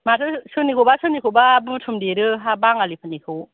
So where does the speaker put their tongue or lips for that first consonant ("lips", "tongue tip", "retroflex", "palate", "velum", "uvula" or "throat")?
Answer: lips